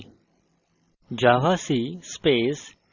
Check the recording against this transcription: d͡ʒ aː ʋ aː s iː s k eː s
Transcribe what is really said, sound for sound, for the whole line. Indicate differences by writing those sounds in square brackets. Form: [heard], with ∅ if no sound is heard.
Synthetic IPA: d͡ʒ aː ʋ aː s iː s [p] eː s